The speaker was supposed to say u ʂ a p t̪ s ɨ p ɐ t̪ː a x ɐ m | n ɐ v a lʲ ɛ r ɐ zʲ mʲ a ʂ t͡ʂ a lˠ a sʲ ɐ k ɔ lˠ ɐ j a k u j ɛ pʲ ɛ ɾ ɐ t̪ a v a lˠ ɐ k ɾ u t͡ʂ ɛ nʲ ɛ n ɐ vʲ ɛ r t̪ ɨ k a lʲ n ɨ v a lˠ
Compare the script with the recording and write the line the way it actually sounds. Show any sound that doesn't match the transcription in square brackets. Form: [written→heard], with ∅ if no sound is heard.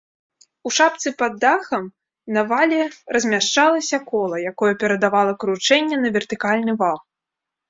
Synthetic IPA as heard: u ʂ a p t̪ s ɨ p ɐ [t̪ː→d̪ː] a x ɐ m | n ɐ v a lʲ ɛ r ɐ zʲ mʲ a ʂ t͡ʂ a lˠ [a→ɐ] sʲ ɐ k ɔ lˠ ɐ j a k [u→ɔ] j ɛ pʲ ɛ ɾ ɐ [t̪→d̪] a v a lˠ ɐ k ɾ u t͡ʂ ɛ [nʲ→nʲː] ɛ n ɐ vʲ ɛ r t̪ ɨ k a lʲ n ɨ v a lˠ